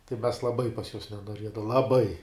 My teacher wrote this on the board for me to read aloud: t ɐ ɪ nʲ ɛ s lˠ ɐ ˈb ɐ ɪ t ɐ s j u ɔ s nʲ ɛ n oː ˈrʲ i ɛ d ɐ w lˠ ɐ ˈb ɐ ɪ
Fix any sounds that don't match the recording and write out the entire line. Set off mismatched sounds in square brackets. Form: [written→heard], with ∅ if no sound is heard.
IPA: t ɐ ɪ [nʲ→mʲ] ɛ s lˠ ɐ ˈb ɐ ɪ [t→p] ɐ s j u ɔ s nʲ ɛ n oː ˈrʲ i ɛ d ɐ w lˠ ɐ ˈb ɐ ɪ